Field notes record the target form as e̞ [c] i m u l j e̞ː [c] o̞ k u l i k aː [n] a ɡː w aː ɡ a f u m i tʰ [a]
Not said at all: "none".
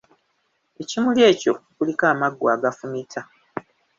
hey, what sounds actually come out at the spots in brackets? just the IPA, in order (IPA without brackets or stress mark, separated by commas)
c, c, m, a